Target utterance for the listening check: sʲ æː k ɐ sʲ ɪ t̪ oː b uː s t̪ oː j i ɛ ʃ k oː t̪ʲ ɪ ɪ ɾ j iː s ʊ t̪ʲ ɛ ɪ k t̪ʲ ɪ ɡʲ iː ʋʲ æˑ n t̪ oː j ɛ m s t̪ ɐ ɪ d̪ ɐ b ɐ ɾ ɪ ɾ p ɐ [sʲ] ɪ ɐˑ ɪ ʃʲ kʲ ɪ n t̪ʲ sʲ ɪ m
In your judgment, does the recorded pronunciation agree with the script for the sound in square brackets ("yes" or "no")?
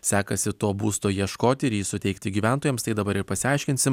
yes